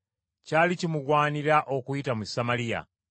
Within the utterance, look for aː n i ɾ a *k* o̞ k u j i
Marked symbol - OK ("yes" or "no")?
no